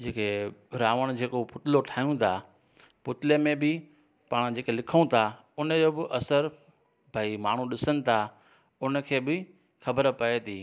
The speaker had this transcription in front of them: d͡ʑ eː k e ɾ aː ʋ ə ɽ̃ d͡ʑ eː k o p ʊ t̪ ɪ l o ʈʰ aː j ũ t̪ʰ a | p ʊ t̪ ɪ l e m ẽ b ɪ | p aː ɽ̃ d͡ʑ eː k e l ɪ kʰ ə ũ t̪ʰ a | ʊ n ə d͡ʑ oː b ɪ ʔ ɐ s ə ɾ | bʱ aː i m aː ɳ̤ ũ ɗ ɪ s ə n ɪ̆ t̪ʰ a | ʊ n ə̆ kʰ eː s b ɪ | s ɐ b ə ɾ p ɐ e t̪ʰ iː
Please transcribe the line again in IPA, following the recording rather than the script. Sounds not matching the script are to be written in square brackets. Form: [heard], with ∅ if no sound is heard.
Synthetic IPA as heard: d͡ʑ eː k e ɾ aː ʋ ə ɽ̃ d͡ʑ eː k o p ʊ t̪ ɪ l o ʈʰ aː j ũ t̪ʰ a | p ʊ t̪ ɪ l e m ẽ b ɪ | p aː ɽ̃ d͡ʑ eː k e l ɪ kʰ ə ũ t̪ʰ a | ʊ n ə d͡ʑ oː b ɪ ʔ ɐ s ə ɾ | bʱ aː i m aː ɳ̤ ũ ɗ ɪ s ə n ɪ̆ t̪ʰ a | ʊ n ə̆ kʰ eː [∅] b ɪ | [x] ɐ b ə ɾ p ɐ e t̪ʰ iː

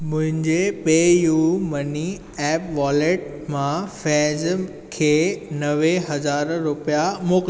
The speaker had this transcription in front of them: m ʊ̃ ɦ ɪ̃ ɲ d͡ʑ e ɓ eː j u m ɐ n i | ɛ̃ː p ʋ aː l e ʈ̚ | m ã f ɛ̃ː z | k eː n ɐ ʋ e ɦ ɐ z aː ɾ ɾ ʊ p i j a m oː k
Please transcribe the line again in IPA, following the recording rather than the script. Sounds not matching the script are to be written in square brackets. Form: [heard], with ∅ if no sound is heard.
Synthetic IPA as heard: m ʊ̃ ɦ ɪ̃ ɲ d͡ʑ e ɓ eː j u m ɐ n i | [ɛː] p ʋ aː l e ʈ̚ | m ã f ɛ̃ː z | [kʰ] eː n ɐ ʋ e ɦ ɐ z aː ɾ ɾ ʊ p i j a m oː k

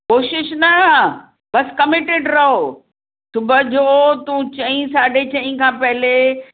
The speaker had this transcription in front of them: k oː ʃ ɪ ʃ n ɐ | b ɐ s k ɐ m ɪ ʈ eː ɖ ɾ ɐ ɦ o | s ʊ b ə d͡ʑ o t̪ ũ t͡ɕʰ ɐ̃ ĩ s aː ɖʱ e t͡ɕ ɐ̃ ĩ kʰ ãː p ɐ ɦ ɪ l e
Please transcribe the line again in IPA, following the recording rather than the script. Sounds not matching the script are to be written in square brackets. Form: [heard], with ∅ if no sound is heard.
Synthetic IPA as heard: k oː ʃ ɪ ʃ n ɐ | b ɐ s k ɐ m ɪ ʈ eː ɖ ɾ ɐ ɦ o | s ʊ b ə d͡ʑ o t̪ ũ [t͡ɕ] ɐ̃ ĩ s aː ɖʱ e t͡ɕ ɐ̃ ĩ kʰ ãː p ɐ ɦ ɪ l e

